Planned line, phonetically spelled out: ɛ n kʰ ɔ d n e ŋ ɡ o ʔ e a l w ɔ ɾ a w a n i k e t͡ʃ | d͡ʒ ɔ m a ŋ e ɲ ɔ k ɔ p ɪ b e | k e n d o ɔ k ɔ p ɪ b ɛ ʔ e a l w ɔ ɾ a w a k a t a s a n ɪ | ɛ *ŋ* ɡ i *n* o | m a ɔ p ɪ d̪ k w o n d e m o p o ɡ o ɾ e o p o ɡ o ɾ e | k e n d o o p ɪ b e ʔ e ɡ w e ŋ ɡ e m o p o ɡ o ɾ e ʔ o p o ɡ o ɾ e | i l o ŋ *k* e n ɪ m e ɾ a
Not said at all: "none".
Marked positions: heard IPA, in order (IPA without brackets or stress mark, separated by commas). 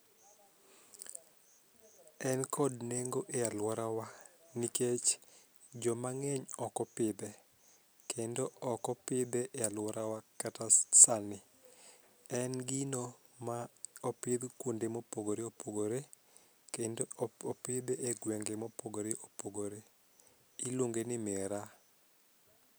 n, n, ɡ